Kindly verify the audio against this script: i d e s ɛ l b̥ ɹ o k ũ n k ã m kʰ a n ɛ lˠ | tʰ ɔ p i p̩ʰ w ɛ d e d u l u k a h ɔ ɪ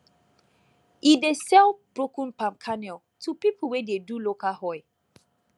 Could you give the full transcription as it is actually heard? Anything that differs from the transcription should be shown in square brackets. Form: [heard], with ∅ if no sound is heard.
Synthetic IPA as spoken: i d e s ɛ l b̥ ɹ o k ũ n [p] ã m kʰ a n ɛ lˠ | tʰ [u] p i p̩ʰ w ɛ d e d u l [o] k a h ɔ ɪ